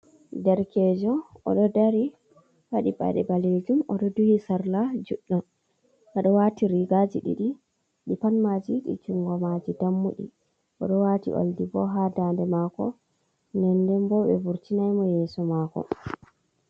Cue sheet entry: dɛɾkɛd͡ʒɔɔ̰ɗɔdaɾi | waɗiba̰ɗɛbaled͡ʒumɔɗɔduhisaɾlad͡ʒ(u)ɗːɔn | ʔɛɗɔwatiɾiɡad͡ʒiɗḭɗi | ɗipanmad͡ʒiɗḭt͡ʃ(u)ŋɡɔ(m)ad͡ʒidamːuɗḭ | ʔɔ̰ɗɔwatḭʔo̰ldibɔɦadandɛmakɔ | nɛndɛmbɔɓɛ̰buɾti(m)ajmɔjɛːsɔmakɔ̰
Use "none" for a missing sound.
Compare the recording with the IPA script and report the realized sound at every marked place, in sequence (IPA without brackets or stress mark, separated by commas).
u, u, m, n